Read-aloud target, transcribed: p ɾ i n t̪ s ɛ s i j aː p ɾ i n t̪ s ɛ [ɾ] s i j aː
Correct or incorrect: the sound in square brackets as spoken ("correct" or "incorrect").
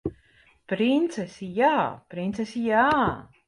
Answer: incorrect